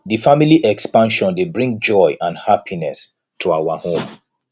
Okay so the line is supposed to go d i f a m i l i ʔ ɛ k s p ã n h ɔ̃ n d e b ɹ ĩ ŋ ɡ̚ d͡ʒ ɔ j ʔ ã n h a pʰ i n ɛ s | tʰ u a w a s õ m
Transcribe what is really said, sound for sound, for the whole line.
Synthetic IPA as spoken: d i f a m i l i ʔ ɛ k s p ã n ʃ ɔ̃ n d e b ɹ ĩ ŋ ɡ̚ d͡ʒ ɔ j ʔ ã n h a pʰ i n ɛ s | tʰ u a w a h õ m